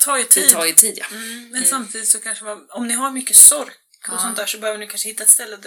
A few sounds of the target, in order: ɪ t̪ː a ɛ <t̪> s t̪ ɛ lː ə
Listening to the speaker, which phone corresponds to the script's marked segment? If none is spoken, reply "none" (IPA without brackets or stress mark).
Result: t̪